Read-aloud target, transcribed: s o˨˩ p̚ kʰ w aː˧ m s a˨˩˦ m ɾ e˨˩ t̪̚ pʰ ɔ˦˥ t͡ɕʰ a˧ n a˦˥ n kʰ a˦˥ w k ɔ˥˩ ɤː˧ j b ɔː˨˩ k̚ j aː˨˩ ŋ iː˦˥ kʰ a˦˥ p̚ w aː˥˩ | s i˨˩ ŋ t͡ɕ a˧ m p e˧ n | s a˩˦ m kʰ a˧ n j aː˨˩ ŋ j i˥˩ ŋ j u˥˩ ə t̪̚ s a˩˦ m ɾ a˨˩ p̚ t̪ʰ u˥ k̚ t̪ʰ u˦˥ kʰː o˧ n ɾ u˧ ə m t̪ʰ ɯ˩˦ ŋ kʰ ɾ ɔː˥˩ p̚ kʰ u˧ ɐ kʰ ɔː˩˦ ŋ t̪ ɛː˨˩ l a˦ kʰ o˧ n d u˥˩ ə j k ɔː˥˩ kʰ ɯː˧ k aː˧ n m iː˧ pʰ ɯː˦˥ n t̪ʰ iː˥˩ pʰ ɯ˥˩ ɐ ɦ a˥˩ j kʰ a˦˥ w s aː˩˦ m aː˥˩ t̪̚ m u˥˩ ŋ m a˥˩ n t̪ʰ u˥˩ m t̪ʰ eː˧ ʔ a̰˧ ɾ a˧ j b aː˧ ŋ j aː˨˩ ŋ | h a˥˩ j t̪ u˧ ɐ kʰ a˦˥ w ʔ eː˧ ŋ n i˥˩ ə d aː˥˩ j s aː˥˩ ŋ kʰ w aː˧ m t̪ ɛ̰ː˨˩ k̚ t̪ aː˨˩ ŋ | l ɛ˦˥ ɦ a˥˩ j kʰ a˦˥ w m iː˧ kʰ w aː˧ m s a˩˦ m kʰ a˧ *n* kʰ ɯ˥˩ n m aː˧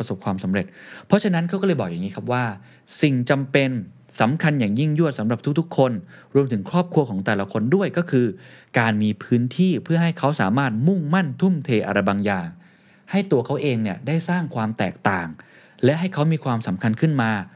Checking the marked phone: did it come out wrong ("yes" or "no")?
no